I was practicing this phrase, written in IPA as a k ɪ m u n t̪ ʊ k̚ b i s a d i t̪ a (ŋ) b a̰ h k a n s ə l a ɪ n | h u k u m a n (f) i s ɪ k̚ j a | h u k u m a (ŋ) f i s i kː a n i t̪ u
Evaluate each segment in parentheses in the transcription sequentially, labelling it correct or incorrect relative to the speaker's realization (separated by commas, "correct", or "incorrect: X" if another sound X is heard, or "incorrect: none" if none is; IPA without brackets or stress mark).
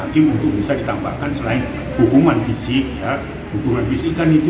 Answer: incorrect: m, correct, incorrect: n